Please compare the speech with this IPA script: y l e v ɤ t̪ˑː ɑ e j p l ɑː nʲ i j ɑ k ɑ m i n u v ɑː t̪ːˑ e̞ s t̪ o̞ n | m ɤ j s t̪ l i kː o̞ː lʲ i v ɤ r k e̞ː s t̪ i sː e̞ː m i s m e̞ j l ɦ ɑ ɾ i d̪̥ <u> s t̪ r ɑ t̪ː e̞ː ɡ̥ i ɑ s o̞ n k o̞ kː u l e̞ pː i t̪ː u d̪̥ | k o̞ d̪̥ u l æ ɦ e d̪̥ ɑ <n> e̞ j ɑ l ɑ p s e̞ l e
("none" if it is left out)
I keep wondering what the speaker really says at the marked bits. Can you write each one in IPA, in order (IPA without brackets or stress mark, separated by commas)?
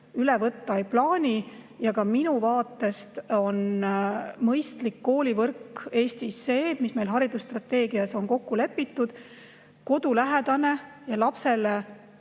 u, n